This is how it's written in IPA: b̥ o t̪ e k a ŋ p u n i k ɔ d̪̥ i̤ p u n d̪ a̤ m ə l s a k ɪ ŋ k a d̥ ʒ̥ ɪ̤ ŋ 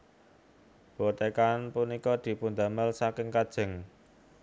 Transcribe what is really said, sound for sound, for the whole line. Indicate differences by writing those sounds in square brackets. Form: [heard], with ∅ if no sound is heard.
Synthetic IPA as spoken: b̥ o t̪ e k a [n] p u n i k ɔ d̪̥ i̤ p u n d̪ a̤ m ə l s a k ɪ ŋ k a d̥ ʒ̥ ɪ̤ ŋ